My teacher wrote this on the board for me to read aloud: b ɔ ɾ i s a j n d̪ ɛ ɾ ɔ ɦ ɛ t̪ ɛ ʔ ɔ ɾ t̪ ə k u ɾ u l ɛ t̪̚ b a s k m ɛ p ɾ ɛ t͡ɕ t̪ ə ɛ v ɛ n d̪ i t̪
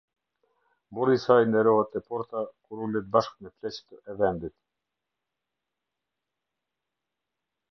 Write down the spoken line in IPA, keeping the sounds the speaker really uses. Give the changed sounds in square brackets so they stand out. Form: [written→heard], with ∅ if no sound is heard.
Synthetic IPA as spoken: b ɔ ɾ i s a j n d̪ ɛ ɾ ɔ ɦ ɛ t̪ ɛ [ʔ→p] ɔ ɾ t̪ [ə→a] k u ɾ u l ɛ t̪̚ b a [s→ʃ] k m ɛ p [ɾ→l] ɛ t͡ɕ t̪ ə ɛ v ɛ n d̪ i t̪